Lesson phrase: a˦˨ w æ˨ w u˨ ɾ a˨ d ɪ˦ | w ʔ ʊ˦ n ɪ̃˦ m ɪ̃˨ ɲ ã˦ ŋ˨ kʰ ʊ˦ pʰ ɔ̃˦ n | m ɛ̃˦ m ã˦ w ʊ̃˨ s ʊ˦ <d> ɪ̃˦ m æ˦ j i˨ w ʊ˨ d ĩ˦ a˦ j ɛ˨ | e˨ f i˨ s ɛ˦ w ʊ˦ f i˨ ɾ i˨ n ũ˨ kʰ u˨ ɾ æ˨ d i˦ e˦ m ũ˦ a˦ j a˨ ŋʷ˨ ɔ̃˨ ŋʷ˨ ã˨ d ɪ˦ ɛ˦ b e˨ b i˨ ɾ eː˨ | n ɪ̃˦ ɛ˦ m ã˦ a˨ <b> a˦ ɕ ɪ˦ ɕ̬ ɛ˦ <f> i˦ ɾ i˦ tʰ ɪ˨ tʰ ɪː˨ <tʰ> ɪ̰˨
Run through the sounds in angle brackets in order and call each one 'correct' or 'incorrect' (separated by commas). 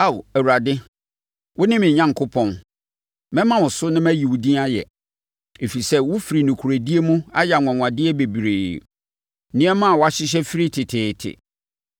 incorrect, incorrect, correct, correct